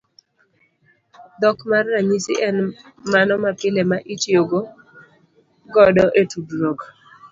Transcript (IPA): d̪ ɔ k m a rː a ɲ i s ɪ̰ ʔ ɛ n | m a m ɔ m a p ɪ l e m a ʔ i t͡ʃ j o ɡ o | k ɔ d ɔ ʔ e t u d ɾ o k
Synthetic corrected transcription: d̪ ɔ k m a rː a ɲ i s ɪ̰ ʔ ɛ n | m a n ɔ m a p ɪ l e m a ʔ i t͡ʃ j o ɡ o | ɡ ɔ d ɔ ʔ e t u d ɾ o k